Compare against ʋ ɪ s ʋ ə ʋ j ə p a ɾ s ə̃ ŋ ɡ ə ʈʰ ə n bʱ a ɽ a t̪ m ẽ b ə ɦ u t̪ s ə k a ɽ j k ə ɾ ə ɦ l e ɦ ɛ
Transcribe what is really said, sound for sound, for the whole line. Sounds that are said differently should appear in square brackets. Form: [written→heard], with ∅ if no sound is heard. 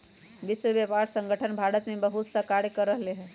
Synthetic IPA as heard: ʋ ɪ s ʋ ə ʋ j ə p a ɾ s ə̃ ŋ ɡ ə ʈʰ ə n bʱ a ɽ [a→ə] t̪ m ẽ b ə ɦ u t̪ s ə k a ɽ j k ə ɾ ə ɦ l e ɦ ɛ